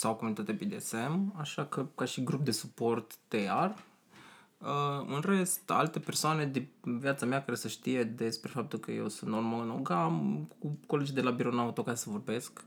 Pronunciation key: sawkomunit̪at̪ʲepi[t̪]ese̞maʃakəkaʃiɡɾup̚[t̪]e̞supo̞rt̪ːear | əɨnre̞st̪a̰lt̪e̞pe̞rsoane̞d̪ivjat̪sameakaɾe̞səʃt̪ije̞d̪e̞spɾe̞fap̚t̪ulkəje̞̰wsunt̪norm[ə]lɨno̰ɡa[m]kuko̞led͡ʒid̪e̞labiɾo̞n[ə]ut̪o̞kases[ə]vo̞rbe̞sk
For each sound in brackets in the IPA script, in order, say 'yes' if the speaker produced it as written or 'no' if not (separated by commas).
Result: no, no, no, yes, no, yes